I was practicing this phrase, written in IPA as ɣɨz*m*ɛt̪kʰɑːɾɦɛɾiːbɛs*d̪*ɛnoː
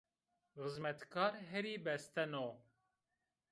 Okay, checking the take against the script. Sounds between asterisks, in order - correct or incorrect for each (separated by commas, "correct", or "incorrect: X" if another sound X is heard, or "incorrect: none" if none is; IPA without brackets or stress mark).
correct, incorrect: t̪